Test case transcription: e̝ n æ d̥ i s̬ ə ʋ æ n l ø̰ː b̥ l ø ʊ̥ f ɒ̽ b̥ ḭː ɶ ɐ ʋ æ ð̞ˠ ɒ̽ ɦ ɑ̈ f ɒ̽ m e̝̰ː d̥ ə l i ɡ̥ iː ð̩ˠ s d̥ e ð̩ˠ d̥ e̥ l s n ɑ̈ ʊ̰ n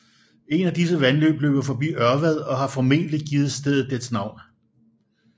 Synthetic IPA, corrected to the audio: e̝ n æ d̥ i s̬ ə ʋ æ n l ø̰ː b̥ l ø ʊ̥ f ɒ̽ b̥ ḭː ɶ ɐ ʋ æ ð̞ˠ ɒ̽ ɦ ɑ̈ f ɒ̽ m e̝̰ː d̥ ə l i ɡ̥ iː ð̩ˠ s d̥ e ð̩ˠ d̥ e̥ s n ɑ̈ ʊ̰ n